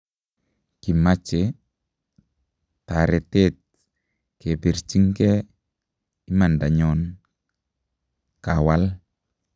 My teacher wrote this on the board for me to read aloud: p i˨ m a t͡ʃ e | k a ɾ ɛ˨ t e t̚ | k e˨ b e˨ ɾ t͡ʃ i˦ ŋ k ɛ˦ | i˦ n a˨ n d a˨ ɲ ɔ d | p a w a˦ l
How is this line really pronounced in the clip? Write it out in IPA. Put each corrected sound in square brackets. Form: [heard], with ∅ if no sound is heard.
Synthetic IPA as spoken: [k] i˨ m a t͡ʃ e | [t] a ɾ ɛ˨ t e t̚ | k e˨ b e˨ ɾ t͡ʃ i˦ ŋ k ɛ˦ | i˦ [m] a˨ n d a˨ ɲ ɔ [n] | [k] a w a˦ l

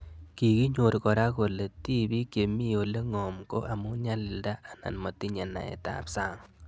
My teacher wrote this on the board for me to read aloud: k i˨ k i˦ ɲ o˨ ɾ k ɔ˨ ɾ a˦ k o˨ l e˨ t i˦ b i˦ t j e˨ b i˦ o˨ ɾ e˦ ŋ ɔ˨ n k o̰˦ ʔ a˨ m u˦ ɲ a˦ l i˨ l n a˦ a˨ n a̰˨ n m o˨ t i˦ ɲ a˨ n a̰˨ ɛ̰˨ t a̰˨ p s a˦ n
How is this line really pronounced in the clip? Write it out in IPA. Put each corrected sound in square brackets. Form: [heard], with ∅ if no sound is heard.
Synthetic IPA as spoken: k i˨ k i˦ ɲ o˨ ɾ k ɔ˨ ɾ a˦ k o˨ l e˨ t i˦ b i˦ [k] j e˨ [m] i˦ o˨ [l] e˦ ŋ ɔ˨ [m] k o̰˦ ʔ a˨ m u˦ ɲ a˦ l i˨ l [d] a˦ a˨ n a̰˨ n m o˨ t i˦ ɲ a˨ n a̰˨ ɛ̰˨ t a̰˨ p s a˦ [ŋ]

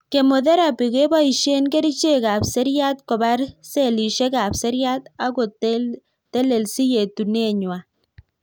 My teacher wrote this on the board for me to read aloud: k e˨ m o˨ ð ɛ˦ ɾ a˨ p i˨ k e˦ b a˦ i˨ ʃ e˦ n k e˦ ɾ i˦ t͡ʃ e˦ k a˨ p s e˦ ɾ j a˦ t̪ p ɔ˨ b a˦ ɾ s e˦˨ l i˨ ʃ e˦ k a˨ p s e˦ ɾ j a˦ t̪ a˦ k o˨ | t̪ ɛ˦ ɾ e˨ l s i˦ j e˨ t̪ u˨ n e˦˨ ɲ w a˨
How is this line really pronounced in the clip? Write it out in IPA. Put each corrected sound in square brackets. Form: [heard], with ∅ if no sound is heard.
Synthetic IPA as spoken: k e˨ m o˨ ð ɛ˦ ɾ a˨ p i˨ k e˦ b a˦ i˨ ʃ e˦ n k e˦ ɾ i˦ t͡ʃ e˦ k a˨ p s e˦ ɾ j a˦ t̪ [k] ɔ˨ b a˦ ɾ s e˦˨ l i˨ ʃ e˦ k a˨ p s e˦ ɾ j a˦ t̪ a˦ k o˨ | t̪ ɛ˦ [l] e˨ l s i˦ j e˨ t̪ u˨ n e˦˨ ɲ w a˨

